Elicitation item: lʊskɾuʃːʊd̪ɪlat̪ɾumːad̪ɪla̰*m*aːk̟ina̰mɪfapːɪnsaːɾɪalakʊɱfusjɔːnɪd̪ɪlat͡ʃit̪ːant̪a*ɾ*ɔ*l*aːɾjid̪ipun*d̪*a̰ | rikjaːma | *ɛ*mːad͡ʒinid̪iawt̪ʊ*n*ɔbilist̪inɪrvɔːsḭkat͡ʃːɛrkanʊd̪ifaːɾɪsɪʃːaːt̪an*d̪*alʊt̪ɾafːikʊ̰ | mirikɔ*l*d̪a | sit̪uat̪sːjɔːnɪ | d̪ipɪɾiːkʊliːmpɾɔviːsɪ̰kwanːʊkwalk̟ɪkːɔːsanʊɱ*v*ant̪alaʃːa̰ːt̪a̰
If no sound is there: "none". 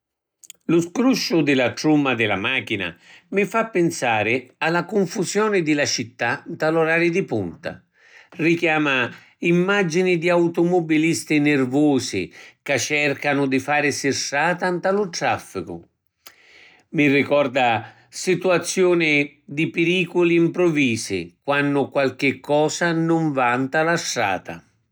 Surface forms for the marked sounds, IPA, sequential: m, l, ɾ, t̪, i, m, t̪, r, v

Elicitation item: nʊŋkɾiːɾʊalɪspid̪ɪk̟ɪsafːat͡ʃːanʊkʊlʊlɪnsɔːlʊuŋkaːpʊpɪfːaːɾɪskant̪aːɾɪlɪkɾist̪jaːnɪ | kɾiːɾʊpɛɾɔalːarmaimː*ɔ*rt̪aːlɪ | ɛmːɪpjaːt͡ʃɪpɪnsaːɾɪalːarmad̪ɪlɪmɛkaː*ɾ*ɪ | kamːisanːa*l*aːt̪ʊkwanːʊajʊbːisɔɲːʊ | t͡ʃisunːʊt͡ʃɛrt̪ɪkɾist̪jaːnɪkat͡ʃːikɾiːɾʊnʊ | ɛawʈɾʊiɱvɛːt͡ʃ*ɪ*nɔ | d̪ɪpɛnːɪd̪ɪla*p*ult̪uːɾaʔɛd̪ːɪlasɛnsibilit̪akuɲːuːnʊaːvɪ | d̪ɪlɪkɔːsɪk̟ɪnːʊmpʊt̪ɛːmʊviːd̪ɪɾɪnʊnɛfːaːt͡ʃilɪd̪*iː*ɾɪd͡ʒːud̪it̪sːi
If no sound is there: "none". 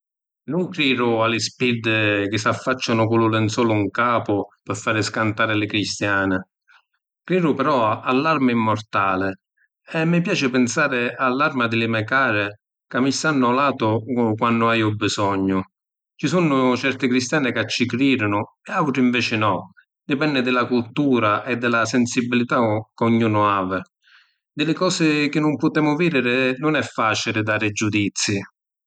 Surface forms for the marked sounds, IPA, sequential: ɔ, ɾ, l, ɪ, k, aː

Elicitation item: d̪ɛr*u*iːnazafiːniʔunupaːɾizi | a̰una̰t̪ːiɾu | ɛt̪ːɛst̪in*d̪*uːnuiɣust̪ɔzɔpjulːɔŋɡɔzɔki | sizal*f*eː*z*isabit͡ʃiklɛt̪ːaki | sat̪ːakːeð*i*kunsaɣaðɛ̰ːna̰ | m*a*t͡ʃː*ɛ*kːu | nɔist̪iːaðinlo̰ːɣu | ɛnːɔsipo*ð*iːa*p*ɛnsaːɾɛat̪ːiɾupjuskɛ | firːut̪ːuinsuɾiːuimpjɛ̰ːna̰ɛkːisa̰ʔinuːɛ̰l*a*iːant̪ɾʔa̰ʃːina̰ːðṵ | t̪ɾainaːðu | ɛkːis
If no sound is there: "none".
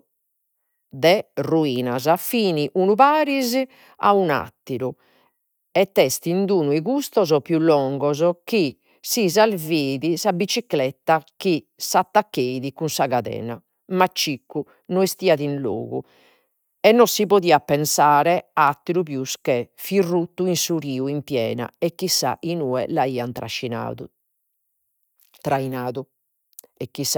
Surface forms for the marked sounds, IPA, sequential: u, d̪, v, ð, i, a, i, ð, p, a

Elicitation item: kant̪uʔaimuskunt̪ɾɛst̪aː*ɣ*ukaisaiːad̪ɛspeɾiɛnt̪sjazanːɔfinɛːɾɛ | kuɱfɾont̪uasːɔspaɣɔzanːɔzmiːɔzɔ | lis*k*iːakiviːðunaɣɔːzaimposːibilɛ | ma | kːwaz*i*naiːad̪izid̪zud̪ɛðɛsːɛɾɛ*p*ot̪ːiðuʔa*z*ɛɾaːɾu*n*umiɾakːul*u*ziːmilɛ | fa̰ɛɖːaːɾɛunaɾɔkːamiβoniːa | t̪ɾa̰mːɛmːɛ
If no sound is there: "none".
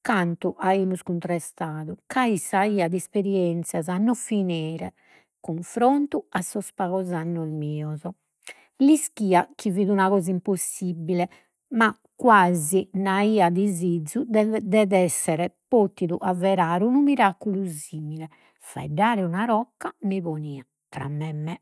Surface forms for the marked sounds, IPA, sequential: ð, k, i, p, v, n, u

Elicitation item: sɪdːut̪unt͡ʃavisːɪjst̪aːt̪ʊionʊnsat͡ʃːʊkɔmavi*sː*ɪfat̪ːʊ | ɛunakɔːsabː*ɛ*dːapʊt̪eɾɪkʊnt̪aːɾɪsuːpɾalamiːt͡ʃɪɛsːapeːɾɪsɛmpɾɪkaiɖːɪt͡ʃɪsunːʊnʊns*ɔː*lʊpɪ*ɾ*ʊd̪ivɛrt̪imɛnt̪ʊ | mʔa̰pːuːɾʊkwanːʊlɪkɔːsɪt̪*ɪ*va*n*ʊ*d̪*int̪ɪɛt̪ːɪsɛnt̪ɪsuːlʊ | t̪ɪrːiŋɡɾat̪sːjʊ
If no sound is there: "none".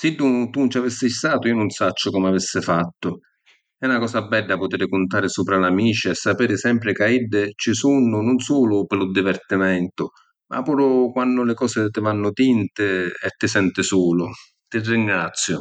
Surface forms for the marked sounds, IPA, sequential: sː, ɛ, uː, l, ɪ, nː, t̪

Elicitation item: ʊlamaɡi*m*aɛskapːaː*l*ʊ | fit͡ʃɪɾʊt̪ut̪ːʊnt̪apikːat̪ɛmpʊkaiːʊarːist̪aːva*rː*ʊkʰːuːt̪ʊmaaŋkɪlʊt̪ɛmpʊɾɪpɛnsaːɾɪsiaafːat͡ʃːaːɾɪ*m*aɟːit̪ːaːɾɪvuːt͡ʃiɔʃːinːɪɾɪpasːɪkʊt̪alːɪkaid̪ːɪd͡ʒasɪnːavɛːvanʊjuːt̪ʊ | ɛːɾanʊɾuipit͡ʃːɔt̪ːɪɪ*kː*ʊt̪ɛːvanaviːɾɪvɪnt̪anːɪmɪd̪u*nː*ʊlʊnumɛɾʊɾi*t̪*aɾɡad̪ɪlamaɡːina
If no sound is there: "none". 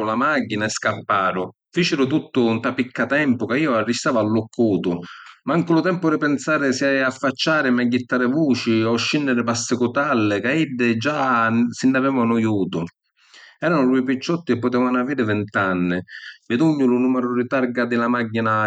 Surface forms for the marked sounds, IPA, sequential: n, ɾ, lː, m, pː, ɲː, t̪

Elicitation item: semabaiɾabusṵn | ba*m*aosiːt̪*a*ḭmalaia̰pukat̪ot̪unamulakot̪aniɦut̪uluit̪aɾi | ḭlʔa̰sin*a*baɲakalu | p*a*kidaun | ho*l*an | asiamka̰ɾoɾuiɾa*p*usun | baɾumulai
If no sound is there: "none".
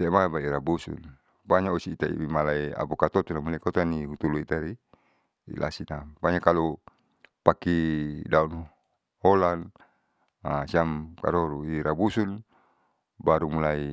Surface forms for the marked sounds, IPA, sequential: ɲ, a, a, a, l, b

